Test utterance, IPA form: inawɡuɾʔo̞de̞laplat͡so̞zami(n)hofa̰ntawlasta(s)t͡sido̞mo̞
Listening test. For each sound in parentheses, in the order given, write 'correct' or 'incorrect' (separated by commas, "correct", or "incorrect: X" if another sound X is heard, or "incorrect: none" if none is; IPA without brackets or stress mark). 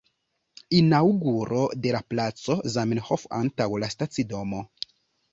correct, incorrect: none